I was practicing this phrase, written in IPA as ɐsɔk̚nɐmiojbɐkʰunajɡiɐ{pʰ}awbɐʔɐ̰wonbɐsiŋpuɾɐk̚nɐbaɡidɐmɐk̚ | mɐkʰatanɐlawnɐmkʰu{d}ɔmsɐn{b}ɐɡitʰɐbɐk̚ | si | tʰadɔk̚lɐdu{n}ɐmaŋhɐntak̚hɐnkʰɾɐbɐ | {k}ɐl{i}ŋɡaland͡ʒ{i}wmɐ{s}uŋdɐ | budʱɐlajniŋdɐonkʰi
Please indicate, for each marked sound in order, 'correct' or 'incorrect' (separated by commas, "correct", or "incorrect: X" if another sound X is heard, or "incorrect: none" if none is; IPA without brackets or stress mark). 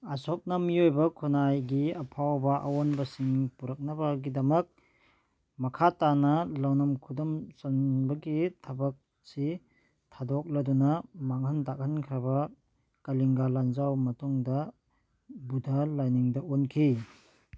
correct, correct, correct, correct, correct, correct, incorrect: a, incorrect: t